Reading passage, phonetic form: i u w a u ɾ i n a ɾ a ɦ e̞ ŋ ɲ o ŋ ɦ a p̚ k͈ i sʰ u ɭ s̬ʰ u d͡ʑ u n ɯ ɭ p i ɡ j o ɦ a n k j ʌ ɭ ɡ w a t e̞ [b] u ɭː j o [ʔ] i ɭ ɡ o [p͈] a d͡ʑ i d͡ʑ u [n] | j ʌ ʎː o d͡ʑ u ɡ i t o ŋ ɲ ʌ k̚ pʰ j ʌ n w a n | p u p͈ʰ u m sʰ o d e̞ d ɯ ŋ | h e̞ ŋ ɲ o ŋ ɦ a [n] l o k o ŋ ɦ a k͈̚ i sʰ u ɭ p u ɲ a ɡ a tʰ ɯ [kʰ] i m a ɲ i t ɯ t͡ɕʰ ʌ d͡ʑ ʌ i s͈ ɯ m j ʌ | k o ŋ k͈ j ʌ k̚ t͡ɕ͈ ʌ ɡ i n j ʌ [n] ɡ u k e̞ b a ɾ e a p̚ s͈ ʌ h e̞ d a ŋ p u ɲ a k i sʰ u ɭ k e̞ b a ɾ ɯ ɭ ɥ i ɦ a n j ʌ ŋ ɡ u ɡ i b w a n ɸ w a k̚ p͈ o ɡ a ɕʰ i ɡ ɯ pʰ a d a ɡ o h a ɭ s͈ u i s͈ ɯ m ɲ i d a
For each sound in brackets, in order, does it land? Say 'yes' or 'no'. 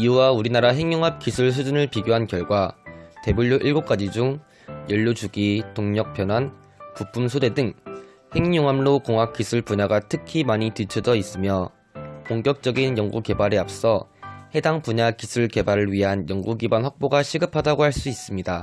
yes, yes, no, no, no, yes, no

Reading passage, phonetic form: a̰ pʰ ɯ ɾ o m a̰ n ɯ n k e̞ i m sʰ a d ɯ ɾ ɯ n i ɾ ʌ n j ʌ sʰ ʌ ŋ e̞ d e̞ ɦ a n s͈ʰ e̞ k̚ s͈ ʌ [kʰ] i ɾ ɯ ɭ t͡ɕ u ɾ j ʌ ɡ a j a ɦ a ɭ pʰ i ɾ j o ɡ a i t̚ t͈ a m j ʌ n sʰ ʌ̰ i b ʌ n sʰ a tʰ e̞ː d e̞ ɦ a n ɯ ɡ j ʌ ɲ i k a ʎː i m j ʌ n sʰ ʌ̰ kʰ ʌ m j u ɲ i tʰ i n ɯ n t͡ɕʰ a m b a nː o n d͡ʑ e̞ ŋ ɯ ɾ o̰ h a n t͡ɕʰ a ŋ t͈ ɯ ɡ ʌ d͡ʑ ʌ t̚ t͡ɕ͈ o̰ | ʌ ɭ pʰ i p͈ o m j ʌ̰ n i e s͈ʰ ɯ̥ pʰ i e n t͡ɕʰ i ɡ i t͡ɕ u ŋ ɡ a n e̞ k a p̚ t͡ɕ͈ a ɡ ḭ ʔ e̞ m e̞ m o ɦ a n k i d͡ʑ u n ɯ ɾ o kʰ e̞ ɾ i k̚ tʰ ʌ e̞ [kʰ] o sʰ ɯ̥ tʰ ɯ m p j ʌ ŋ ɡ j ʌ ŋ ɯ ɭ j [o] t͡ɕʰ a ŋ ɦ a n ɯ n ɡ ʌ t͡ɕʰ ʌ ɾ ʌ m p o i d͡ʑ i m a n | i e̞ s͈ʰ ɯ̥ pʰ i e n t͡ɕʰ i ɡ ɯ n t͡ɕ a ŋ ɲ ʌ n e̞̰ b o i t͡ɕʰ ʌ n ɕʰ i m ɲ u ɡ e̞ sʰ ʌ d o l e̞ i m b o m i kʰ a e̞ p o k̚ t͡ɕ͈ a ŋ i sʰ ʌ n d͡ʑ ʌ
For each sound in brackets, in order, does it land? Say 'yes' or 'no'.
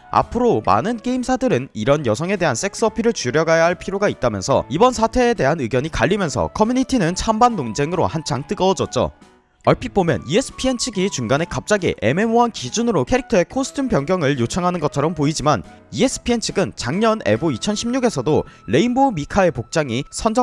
no, yes, yes

